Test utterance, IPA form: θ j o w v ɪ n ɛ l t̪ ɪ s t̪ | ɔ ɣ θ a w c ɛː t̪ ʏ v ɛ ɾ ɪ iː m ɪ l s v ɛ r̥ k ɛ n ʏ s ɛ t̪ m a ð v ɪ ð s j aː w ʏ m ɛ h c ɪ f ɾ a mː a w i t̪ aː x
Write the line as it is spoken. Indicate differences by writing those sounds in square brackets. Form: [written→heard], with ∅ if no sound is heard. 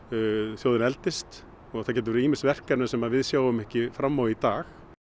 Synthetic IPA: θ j o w [v→ð] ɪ n ɛ l t̪ ɪ s t̪ | ɔ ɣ θ a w c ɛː t̪ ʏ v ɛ ɾ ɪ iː m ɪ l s v ɛ r̥ k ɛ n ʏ s ɛ [t̪→∅] m a ð v ɪ ð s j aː w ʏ m ɛ h c ɪ f ɾ a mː a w i t̪ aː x